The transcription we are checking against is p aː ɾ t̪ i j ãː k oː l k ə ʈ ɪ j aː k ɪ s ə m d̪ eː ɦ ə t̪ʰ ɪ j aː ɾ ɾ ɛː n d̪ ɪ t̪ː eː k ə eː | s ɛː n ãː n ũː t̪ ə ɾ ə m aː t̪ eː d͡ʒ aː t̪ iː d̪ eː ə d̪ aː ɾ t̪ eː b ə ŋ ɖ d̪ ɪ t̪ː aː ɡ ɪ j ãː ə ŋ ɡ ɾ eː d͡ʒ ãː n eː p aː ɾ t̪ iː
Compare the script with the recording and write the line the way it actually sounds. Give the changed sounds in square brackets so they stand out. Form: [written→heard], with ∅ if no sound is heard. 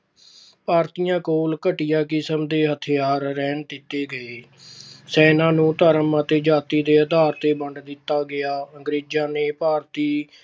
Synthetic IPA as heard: p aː ɾ t̪ i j ãː k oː l k ə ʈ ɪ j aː k ɪ s ə m d̪ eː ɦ ə t̪ʰ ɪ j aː ɾ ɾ ɛː n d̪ ɪ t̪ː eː [k→ɡ] ə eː | s ɛː n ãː n ũː t̪ ə ɾ ə m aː t̪ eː d͡ʒ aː t̪ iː d̪ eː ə d̪ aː ɾ t̪ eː b ə [ŋ→ɳ] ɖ d̪ ɪ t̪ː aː ɡ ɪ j [ãː→aː] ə ŋ ɡ ɾ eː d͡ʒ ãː n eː p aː ɾ t̪ iː